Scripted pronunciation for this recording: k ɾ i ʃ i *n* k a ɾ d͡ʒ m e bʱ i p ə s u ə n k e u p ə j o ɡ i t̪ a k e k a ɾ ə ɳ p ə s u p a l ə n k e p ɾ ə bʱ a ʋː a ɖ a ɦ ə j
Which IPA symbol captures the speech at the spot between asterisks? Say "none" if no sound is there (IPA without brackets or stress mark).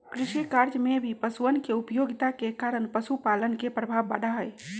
none